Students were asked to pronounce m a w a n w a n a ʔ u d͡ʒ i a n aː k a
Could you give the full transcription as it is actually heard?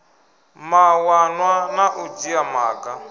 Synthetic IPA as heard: m a w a n w a n a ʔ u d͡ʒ i a m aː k a